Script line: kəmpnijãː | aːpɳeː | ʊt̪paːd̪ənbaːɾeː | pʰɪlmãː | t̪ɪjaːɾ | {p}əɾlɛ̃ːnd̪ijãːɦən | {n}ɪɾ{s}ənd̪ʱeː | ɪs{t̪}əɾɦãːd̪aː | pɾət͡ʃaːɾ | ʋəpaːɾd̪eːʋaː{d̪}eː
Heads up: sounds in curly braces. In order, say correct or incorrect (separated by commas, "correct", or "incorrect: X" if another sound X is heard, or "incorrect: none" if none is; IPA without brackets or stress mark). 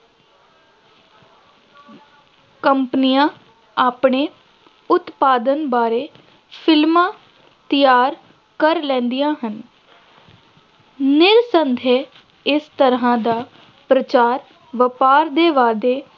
incorrect: k, correct, correct, correct, correct